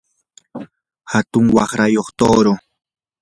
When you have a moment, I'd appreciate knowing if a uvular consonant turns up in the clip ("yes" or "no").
yes